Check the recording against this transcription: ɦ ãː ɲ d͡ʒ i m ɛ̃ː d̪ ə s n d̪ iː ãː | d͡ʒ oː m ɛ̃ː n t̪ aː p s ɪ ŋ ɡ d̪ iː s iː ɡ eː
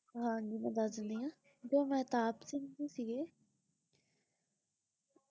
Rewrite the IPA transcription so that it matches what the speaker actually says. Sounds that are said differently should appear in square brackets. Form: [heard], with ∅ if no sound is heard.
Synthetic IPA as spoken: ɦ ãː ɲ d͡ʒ i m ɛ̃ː d̪ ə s n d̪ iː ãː | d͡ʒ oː m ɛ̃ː [∅] t̪ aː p s ɪ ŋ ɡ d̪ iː s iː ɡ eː